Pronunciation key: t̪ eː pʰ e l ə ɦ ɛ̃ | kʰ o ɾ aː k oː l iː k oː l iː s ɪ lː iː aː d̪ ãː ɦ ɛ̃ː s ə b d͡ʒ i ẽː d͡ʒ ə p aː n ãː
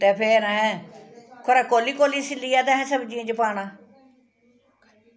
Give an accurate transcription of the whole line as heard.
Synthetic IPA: t̪ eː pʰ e ɾ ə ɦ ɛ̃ | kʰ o ɾ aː k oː l iː k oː l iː s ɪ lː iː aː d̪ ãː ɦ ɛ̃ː s ə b d͡ʒ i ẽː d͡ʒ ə p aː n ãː